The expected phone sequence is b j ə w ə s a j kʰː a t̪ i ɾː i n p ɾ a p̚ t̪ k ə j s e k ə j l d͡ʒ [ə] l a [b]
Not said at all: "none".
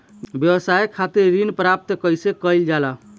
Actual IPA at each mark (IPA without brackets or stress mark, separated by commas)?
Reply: a, none